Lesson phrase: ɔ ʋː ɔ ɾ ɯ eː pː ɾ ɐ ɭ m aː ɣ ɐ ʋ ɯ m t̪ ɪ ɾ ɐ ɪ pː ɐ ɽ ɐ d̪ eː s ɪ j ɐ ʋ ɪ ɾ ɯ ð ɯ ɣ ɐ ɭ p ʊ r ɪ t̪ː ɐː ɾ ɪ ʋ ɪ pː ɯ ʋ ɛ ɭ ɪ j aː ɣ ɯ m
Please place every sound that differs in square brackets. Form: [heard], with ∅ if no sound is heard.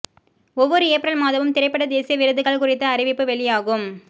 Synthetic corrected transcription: ɔ ʋː ɔ ɾ ɯ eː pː ɾ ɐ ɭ m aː [ð] ɐ ʋ ɯ m t̪ ɪ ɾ ɐ ɪ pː ɐ ɽ ɐ d̪ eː s ɪ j ɐ ʋ ɪ ɾ ɯ ð ɯ ɣ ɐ ɭ [k] ʊ r ɪ t̪ː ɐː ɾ ɪ ʋ ɪ pː ɯ ʋ ɛ ɭ ɪ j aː ɣ ɯ m